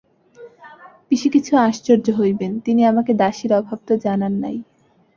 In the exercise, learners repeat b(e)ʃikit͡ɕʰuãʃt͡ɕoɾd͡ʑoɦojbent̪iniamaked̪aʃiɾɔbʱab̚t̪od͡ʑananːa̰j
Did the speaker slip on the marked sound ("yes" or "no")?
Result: yes